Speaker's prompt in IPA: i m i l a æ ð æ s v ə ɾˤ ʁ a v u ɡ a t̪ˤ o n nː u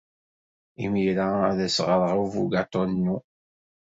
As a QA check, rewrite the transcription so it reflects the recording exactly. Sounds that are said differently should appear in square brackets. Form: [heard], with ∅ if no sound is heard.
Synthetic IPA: i m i [ɾ] a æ ð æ s [ʁ] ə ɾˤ ʁ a v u ɡ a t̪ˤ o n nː u

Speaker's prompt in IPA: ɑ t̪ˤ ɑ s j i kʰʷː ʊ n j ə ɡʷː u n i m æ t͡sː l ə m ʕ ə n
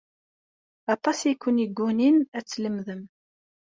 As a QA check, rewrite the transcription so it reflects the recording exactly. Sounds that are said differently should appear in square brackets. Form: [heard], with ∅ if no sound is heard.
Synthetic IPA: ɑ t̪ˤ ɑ s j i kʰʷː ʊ n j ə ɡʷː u n i [n] æ t͡sː l ə m [ð] ə [m]

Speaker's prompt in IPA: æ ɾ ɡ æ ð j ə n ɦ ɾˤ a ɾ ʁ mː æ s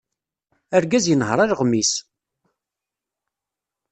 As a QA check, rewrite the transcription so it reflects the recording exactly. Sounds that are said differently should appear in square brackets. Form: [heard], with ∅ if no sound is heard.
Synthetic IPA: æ ɾ ɡ æ [z] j ə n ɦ ɾˤ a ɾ ʁ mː [i] s

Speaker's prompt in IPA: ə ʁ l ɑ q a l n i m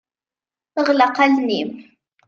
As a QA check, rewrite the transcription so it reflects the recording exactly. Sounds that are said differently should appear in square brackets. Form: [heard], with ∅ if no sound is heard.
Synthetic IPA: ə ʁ l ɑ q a l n i m

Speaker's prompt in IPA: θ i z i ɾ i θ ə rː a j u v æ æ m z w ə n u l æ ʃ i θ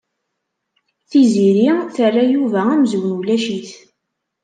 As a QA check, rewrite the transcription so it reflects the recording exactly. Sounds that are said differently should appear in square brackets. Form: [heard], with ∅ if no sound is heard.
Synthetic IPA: θ i z i ɾ i θ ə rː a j u v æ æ m z w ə n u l æ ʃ i θ

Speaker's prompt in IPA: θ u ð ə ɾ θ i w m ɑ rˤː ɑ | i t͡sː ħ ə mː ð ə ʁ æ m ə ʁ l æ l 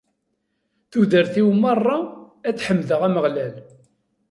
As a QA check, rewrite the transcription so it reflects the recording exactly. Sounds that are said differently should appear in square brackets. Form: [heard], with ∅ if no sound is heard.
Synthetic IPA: θ u ð ə ɾ θ i w m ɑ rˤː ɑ | [æ] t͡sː ħ ə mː ð ə ʁ æ m ə ʁ l æ l

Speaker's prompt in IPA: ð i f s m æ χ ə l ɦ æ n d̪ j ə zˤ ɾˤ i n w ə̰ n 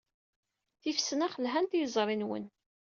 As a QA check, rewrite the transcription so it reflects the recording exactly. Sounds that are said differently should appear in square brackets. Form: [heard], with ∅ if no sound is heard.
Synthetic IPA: [θ] i f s [n] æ χ ə l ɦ æ n [t̪] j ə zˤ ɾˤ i n w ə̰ n

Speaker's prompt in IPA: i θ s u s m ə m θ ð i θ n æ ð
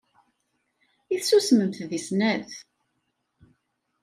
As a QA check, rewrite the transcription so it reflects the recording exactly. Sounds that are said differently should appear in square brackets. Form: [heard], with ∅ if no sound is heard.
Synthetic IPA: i θ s u s m ə m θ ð i [s] n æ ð

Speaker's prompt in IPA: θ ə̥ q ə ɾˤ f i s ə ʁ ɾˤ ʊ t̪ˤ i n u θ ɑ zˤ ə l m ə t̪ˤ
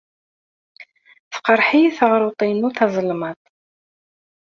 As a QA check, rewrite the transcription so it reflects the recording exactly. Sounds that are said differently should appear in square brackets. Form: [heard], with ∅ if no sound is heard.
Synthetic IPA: θ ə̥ q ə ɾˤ [ħ] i [θ] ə ʁ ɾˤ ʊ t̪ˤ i n u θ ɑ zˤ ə l m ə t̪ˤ

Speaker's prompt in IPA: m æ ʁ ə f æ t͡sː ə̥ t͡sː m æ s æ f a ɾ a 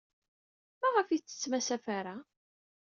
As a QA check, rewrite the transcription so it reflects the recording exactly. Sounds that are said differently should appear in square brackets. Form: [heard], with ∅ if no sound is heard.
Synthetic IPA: m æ ʁ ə f [i] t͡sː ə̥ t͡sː m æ s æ f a ɾ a

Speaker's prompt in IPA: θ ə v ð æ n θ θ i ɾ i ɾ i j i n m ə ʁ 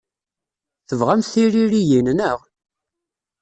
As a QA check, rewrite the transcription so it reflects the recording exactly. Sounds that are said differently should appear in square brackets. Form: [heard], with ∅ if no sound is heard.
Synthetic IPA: θ ə v [ʁ] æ [m] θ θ i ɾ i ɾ i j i n [n] ə ʁ

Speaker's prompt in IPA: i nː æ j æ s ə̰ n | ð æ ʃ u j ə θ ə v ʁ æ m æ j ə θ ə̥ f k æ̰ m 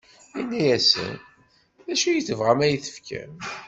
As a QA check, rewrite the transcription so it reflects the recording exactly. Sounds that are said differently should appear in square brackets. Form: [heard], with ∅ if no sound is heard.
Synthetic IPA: i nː æ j æ s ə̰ n | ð æ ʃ u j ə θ ə v ʁ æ m æ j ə θ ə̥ f k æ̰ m

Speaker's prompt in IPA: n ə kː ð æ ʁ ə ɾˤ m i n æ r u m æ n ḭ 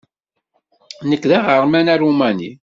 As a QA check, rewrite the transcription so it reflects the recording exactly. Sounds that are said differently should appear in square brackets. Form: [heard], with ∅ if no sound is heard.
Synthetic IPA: n ə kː ð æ ʁ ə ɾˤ m [æ] n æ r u m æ n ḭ

